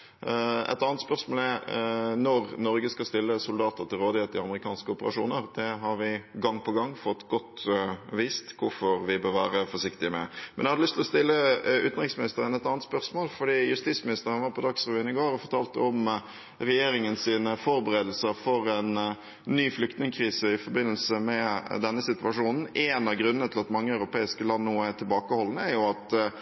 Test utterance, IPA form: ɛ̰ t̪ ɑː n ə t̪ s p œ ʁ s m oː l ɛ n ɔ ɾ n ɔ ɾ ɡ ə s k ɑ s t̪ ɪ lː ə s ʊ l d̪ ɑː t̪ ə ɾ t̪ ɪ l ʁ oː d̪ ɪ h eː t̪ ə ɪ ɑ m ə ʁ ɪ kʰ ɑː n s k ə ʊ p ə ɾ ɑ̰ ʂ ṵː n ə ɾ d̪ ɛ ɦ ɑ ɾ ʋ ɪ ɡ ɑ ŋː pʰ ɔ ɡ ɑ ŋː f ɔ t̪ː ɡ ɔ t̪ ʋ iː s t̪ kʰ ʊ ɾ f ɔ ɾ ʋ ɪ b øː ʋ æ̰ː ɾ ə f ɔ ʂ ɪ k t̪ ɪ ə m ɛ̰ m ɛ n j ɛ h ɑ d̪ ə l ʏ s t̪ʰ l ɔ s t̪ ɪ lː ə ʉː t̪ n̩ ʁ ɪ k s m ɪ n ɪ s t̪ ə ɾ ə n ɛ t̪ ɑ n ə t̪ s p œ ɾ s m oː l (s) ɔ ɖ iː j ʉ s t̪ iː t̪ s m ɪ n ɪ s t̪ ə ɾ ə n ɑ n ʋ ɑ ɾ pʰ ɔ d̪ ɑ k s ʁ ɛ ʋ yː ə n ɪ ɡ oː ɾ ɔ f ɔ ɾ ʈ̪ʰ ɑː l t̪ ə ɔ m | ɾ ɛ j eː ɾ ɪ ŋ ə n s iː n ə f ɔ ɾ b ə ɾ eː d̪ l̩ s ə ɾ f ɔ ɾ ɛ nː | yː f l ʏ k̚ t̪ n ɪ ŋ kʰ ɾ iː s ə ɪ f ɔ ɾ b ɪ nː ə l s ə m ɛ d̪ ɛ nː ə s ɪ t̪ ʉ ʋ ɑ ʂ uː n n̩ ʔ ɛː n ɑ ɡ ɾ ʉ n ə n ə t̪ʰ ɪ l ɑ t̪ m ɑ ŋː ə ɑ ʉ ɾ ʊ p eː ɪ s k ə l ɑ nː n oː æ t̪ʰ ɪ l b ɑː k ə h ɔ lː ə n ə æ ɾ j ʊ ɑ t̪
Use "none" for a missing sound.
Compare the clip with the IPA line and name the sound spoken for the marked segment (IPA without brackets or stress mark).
f